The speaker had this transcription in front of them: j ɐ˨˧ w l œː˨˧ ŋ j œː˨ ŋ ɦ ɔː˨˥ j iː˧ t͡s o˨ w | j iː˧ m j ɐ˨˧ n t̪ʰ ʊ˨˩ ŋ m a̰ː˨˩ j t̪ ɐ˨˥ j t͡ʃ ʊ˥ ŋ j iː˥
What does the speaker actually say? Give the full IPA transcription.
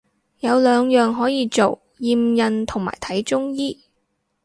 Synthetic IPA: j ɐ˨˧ w l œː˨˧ ŋ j œː˨ ŋ ɦ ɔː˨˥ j iː˧ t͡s o˨ w | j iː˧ m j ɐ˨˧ n t̪ʰ ʊ˨˩ ŋ m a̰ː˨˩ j t̪ʰ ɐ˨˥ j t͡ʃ ʊ˥ ŋ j iː˥